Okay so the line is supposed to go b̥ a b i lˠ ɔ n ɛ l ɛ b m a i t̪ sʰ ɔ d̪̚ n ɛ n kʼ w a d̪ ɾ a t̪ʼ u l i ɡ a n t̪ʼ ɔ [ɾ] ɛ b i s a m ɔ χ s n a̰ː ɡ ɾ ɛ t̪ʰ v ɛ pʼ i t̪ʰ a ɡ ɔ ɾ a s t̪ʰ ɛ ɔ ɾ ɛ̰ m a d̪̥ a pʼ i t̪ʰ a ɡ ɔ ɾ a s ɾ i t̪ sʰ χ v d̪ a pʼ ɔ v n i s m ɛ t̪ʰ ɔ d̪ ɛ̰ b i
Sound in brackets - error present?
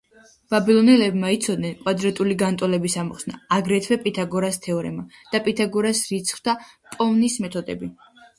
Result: yes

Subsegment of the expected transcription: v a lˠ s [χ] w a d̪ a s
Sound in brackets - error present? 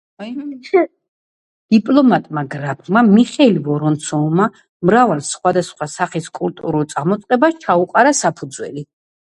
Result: no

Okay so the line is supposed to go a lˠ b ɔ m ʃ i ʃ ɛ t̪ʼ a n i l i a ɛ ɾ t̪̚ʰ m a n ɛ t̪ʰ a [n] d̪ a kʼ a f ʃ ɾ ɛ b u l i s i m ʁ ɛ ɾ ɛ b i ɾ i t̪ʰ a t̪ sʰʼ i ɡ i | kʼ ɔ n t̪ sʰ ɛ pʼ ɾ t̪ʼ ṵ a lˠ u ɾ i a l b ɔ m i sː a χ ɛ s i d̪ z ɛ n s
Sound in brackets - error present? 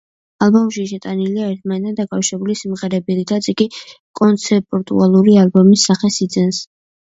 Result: no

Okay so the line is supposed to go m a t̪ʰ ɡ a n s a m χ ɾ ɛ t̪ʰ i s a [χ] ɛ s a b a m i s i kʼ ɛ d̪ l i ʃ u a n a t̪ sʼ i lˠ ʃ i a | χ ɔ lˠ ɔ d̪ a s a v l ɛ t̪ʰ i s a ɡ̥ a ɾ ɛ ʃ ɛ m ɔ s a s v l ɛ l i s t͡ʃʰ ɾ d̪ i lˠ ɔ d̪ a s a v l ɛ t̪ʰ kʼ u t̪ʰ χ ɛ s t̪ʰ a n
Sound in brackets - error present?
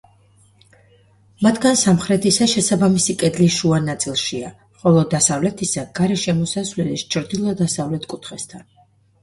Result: yes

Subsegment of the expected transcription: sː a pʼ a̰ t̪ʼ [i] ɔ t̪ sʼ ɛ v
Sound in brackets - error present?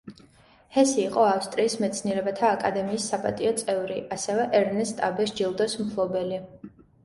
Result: no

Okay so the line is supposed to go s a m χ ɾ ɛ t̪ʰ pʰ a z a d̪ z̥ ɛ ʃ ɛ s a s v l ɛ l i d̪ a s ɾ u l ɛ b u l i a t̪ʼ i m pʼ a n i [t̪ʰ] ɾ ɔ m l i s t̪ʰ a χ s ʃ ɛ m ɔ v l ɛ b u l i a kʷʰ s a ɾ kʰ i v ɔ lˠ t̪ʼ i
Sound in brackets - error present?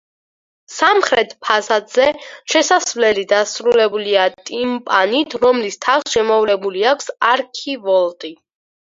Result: no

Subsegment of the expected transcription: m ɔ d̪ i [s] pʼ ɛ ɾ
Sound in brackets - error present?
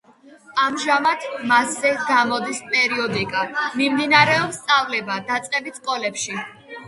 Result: no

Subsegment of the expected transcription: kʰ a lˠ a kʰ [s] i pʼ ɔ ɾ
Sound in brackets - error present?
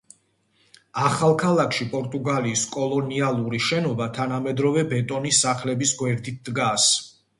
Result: yes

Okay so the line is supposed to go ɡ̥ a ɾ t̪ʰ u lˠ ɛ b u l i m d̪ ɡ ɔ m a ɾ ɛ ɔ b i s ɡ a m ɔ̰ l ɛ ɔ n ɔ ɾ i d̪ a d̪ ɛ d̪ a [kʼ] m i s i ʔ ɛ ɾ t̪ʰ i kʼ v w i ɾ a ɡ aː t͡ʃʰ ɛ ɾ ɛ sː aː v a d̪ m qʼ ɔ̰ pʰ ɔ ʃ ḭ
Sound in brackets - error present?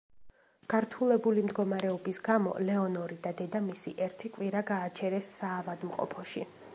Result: yes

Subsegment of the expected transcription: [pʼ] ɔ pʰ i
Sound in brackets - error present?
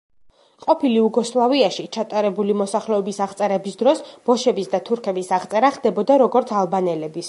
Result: yes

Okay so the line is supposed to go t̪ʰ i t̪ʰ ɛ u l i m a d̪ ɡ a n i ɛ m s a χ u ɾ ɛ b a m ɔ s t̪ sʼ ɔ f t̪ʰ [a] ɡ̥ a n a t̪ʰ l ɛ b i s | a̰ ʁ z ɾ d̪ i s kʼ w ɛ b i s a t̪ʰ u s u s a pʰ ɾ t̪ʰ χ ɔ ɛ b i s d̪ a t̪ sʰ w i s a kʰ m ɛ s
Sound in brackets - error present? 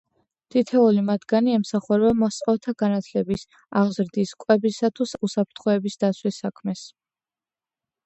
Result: no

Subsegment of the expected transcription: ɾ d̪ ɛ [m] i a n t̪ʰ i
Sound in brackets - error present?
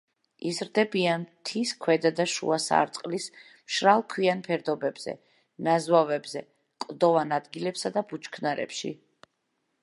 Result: yes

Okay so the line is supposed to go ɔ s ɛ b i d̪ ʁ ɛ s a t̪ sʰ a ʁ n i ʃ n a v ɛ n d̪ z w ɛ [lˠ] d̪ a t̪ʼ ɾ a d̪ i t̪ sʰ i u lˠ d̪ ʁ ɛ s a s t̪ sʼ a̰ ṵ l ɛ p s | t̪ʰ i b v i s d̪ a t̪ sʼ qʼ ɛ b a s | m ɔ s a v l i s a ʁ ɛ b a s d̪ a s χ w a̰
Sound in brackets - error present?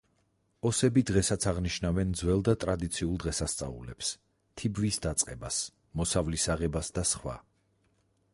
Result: no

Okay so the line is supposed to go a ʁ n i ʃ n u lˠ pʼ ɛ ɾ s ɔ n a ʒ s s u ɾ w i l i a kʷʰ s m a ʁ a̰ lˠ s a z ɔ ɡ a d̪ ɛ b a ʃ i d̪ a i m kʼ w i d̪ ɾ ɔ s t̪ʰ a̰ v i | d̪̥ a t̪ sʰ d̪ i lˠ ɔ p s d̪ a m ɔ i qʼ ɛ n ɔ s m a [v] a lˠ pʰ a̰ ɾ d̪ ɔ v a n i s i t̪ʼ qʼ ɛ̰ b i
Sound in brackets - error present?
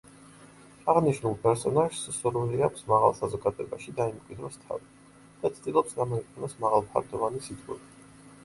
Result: yes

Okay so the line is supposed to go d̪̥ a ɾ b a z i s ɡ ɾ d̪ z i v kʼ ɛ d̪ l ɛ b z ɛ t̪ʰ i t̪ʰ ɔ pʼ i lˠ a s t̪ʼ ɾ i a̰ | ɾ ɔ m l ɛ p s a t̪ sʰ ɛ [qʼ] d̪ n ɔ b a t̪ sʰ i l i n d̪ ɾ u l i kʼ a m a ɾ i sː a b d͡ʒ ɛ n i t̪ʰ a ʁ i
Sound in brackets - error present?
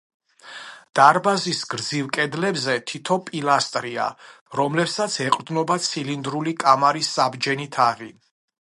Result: no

